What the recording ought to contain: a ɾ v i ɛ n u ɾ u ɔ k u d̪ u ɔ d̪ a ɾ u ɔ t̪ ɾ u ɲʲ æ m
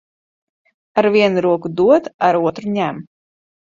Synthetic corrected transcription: a ɾ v i ɛ n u ɾ u ɔ k u d̪ u ɔ t̪ a ɾ u ɔ t̪ ɾ u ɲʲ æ m